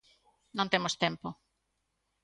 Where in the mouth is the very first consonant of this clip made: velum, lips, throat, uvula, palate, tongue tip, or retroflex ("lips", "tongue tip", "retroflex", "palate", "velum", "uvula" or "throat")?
tongue tip